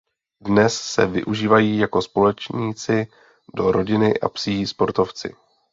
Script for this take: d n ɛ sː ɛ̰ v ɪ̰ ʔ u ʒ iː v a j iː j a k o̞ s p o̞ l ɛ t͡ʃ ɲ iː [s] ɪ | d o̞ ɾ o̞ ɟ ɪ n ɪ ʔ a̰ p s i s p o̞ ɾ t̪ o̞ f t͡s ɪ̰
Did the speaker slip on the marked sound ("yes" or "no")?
yes